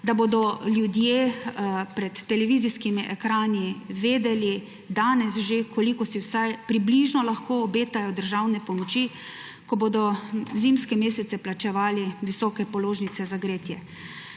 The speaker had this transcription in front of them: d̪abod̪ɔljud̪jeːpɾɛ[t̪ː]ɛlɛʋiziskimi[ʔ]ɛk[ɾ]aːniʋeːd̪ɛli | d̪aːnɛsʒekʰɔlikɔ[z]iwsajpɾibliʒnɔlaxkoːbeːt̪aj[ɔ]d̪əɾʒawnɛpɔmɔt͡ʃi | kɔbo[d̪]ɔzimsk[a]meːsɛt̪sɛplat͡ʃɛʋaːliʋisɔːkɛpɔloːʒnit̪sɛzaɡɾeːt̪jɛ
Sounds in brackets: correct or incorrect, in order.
correct, correct, correct, incorrect: s, correct, correct, incorrect: ɛ

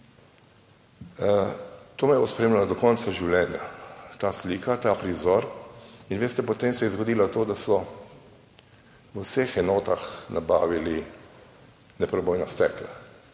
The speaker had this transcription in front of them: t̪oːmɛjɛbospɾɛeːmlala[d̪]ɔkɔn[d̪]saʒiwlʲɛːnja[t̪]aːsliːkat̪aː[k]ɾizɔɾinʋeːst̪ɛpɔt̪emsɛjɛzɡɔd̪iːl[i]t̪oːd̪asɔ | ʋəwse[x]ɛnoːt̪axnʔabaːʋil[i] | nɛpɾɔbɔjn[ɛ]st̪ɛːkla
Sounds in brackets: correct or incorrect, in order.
correct, incorrect: t̪, correct, incorrect: p, incorrect: a, correct, correct, incorrect: a

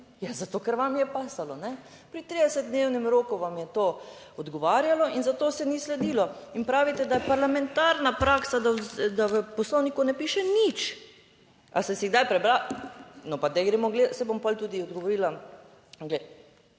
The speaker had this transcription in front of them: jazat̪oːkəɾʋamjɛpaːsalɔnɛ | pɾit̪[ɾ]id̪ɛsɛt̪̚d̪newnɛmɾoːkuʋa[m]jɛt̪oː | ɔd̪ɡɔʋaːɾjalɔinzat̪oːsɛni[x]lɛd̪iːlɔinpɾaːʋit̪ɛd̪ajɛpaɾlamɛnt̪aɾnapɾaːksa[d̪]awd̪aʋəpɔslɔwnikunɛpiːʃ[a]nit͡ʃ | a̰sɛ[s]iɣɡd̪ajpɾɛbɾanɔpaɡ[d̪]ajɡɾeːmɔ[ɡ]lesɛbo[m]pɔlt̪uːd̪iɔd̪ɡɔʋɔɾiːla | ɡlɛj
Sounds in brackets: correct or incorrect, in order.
correct, correct, incorrect: s, correct, incorrect: ɛ, correct, correct, correct, correct

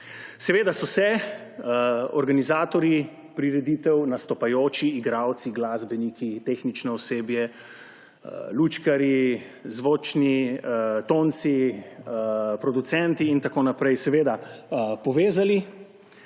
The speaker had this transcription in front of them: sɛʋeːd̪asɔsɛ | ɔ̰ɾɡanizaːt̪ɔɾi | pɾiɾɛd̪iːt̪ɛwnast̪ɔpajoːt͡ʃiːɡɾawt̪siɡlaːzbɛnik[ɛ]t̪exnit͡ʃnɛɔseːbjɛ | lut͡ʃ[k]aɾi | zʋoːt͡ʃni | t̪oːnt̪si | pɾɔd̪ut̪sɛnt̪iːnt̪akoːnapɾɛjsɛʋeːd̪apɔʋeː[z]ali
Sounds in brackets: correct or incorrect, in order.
incorrect: i, correct, correct

